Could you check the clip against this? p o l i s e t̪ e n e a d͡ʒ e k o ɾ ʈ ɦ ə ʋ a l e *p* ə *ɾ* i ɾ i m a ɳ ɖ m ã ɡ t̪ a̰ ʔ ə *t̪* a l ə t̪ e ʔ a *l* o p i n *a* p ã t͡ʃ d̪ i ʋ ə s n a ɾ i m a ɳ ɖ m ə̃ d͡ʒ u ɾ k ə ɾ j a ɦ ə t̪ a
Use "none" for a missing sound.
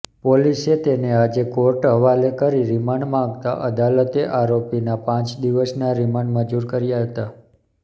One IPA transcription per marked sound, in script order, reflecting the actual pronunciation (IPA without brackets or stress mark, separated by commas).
k, ɾ, d̪, ɾ, a